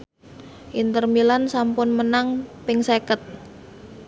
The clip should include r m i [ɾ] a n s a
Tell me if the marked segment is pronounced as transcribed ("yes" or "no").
no